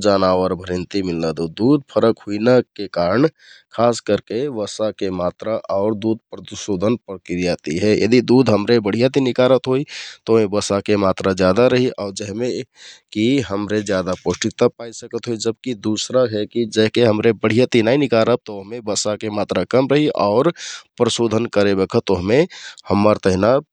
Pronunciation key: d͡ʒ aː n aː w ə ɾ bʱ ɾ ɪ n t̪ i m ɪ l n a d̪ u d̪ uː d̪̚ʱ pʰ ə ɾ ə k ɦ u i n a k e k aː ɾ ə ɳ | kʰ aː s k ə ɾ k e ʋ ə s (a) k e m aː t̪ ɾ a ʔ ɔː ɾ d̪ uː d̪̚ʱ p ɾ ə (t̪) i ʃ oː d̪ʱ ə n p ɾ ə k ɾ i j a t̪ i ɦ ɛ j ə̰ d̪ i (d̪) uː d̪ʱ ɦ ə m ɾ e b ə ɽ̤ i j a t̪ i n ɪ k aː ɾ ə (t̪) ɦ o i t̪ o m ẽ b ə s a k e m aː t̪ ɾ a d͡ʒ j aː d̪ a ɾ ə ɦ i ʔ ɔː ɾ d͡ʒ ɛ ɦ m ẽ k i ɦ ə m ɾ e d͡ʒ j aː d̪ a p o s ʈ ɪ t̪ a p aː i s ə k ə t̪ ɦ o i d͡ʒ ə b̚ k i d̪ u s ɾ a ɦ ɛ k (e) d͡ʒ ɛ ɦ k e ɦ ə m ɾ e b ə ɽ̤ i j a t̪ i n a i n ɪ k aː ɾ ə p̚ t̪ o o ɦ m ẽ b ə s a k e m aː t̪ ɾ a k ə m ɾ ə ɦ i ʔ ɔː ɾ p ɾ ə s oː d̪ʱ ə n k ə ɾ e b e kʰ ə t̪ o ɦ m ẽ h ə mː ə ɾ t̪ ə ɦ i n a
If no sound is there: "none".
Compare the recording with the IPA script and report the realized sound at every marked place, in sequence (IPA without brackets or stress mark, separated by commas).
a, t̪, d̪, t̪, i